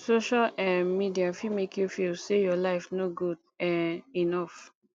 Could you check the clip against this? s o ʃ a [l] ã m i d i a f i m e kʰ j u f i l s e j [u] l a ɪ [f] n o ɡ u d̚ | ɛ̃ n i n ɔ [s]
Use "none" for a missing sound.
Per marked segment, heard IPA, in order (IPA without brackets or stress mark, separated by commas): l, ɔ, f, f